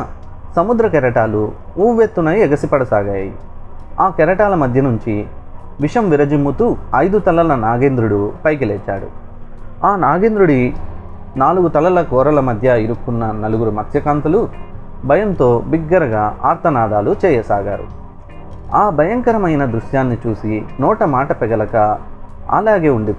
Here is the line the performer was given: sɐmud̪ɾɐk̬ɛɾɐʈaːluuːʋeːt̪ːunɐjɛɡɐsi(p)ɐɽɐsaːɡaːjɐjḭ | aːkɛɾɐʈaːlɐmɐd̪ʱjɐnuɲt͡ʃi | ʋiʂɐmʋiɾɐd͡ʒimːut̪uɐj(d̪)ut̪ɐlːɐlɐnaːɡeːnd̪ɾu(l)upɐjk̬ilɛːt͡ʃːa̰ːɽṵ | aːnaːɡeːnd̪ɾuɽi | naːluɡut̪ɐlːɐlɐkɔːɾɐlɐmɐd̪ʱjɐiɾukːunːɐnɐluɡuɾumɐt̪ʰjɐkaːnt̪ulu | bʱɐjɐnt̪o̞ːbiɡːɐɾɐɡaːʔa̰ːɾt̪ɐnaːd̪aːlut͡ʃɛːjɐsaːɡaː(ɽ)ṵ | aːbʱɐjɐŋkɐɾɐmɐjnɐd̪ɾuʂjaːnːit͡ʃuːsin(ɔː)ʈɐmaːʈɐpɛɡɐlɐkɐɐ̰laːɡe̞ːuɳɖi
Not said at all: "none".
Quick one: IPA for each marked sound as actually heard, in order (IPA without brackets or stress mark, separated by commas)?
p, d̪, ɽ, ɾ, ɔː